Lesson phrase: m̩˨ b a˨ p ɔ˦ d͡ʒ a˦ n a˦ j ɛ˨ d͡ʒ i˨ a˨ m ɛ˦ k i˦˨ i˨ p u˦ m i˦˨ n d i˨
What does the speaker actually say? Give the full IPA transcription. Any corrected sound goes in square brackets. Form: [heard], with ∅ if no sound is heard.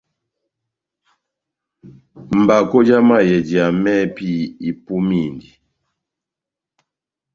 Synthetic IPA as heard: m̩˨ b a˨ [k] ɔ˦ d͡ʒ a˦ [m] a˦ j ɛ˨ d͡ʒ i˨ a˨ m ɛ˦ [p] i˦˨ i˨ p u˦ m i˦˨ n d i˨